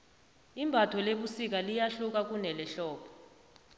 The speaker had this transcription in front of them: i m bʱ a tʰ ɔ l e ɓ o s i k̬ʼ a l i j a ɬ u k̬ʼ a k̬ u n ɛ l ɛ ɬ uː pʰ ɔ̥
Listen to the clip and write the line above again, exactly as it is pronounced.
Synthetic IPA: i m bʱ a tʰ ɔ l e ɓ u s i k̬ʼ a l i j a ɬ u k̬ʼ a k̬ u n ɛ l ɛ ɬ ɔː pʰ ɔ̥